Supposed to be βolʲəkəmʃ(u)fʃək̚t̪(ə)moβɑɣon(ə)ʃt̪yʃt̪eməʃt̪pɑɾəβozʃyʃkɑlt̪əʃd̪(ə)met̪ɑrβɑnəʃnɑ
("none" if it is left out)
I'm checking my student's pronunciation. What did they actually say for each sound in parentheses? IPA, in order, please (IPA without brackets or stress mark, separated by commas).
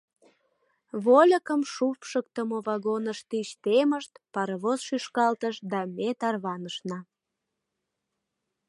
u, ə, ə, ɑ